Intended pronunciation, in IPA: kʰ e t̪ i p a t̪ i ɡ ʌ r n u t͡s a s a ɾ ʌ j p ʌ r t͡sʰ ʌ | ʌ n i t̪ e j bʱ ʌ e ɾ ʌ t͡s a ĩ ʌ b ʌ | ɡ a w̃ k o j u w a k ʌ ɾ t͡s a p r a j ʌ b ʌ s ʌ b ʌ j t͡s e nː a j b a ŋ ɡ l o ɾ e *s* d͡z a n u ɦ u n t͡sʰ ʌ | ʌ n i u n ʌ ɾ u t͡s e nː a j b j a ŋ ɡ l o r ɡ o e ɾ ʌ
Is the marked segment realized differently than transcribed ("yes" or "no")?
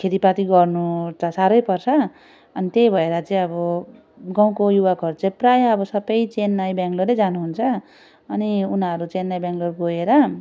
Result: yes